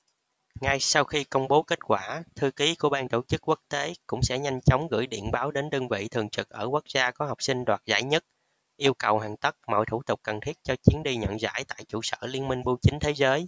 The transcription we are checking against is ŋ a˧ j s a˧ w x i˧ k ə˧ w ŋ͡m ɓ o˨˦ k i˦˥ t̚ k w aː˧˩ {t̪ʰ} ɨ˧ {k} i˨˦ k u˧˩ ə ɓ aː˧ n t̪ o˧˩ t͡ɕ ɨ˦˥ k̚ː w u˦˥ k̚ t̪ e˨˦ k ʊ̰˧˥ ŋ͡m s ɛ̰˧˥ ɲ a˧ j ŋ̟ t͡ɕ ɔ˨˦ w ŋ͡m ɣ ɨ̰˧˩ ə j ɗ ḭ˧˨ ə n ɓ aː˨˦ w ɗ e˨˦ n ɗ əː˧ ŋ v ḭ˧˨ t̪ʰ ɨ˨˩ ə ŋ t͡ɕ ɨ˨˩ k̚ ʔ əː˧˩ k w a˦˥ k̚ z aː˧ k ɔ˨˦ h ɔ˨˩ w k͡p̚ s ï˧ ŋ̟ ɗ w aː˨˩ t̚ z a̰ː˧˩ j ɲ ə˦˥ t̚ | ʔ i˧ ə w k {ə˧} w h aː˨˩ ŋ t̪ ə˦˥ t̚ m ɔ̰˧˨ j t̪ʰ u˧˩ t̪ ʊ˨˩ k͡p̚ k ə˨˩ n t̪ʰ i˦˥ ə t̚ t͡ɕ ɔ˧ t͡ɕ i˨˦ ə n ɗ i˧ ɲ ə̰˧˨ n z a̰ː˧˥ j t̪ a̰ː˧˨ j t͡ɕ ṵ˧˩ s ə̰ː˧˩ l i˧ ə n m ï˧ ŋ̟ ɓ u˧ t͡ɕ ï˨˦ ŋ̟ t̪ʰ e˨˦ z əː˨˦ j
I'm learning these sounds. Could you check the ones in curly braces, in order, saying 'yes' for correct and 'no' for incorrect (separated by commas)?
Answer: yes, yes, no